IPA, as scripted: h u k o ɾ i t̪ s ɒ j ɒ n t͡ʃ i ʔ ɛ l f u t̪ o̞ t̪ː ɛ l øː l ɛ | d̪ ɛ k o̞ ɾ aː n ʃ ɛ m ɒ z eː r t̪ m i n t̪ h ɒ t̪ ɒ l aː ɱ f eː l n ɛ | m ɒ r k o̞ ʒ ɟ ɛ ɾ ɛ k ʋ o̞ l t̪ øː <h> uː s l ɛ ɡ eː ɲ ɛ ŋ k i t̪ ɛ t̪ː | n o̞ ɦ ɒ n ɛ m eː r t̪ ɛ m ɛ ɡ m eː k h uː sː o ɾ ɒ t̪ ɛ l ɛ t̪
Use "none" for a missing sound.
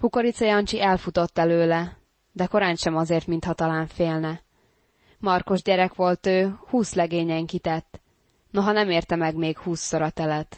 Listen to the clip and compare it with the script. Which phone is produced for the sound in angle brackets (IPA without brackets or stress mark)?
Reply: h